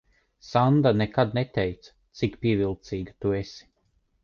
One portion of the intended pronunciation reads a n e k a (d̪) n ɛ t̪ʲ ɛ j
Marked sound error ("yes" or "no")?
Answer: no